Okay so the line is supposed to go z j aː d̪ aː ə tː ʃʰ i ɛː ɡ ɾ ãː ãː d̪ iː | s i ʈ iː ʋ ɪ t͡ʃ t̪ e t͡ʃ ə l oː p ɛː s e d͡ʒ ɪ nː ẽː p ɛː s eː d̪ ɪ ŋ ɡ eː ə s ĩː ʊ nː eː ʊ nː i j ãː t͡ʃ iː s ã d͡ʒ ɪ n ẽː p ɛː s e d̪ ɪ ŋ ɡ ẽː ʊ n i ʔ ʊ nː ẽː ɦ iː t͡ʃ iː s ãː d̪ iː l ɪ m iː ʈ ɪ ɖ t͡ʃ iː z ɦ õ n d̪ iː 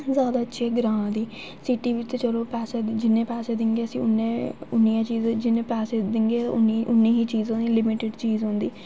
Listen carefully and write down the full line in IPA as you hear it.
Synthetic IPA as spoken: z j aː d̪ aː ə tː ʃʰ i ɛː ɡ ɾ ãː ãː d̪ iː | s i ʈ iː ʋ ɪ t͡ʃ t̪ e t͡ʃ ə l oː p ɛː s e d͡ʒ ɪ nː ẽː p ɛː s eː d̪ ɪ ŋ ɡ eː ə s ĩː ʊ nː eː ʊ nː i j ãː t͡ʃ iː z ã d͡ʒ ɪ n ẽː p ɛː s e d̪ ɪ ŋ ɡ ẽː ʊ n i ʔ ʊ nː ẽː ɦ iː t͡ʃ iː z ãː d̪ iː l ɪ m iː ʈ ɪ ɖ t͡ʃ iː z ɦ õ n d̪ iː